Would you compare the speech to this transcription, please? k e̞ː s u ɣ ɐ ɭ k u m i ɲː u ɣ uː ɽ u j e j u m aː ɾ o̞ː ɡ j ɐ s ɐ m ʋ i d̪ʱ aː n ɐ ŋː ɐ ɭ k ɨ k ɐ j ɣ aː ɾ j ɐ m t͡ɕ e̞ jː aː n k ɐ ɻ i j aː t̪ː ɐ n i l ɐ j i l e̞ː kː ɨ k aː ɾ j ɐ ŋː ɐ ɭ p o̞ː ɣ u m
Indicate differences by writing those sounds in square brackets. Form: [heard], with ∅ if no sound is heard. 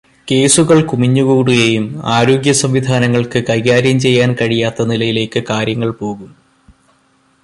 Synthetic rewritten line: k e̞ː s u ɣ ɐ ɭ k u m i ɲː u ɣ uː ɽ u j e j u m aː ɾ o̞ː ɡ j ɐ s ɐ m ʋ i d̪ʱ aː n ɐ ŋː ɐ ɭ k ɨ k ɐ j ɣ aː ɾ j ɐ m t͡ɕ e̞ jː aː n k ɐ ɻ i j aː t̪ː ɐ n i l ɐ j i l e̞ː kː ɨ k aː ɾ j ɐ ŋː ɐ ɭ p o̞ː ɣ u m